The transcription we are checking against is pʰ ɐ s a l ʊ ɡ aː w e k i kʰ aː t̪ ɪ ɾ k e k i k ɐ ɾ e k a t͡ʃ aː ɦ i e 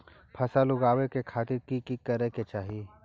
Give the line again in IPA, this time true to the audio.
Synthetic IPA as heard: pʰ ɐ s a l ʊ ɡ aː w e k e kʰ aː t̪ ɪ ɾ k i k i k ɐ ɾ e k e t͡ʃ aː ɦ i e

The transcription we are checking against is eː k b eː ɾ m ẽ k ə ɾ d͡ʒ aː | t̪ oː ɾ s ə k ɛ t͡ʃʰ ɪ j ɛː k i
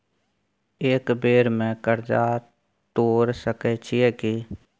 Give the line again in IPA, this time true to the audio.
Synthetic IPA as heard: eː k b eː ɾ m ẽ k ə ɾ d͡ʒ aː | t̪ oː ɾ s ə k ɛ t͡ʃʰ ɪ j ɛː k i

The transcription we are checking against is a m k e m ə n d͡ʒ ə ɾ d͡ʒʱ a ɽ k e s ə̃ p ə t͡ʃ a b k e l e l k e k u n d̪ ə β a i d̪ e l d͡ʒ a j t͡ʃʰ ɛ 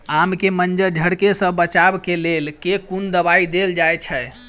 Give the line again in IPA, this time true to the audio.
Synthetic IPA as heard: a m k e m ə n d͡ʒ ə ɾ d͡ʒʱ ə ɽ k e s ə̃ b ə t͡ʃ a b k e l e l k e k u n d̪ ə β a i d̪ e l d͡ʒ a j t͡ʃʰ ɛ

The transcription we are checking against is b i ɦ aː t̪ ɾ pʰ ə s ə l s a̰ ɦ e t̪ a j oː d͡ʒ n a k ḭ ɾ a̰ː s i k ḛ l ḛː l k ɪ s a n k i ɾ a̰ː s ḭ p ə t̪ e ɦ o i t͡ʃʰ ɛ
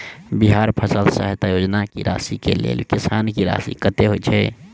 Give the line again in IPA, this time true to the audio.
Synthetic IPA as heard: b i ɦ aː ɾ pʰ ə s ə l s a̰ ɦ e t̪ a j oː d͡ʒ n a k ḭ ɾ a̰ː s i k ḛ l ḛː l k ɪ s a n k i ɾ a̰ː s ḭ k ə t̪ e ɦ o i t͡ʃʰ ɛ

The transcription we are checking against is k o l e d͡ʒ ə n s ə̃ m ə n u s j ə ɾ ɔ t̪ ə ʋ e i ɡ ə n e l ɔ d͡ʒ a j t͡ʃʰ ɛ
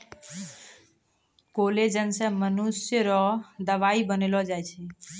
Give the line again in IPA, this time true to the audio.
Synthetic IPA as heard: k o l e d͡ʒ ə n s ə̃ m ə n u s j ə ɾ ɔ d̪ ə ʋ a i b ə n e l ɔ d͡ʒ a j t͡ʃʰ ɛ

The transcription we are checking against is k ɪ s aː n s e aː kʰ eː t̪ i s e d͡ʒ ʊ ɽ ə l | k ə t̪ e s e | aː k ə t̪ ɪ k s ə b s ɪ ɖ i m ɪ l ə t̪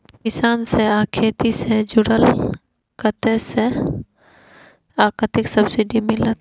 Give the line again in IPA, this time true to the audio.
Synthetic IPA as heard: k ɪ s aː n s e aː kʰ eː t̪ i s e d͡ʒ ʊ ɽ ə l | k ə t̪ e s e | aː k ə t̪ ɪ k s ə b s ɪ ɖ i m ɪ l ə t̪

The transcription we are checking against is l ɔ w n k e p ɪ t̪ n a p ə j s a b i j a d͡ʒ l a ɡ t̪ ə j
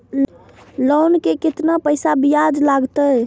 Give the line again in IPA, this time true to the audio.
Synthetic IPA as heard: l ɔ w n k e k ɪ t̪ n a p ə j s a b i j a d͡ʒ l a ɡ t̪ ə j

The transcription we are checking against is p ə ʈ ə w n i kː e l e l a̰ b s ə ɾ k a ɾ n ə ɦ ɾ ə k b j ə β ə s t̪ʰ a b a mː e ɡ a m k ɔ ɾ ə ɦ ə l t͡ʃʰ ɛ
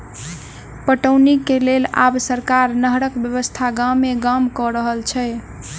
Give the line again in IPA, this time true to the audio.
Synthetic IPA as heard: p ə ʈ ə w n i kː e l e l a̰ b s ə ɾ k a ɾ n ə ɦ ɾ ə k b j ə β ə s t̪ʰ a ɡ a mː e ɡ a m k ɔ ɾ ə ɦ ə l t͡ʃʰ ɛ

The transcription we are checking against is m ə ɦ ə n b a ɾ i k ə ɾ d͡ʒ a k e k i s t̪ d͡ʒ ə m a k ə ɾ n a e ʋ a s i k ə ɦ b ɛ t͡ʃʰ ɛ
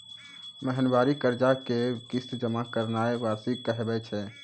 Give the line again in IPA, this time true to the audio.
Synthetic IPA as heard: m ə ɦ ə n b a ɾ i k ə ɾ d͡ʒ a k e k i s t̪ d͡ʒ ə m a k ə ɾ n a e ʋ a s i k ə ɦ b ɛ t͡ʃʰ ɛ

